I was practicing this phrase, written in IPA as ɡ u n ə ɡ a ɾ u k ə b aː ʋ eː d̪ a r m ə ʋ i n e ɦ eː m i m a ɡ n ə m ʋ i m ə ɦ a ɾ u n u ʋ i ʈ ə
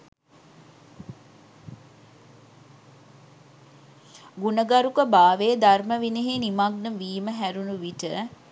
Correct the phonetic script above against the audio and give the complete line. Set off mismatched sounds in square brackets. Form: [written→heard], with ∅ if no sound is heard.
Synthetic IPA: ɡ u n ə ɡ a ɾ u k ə b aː ʋ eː d̪ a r m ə ʋ i n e ɦ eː [m→n] i m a ɡ n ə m ʋ [i→iː] m ə ɦ [a→æ] ɾ u n u ʋ i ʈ ə